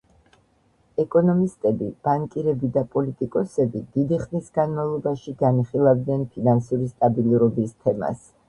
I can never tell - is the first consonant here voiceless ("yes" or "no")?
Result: yes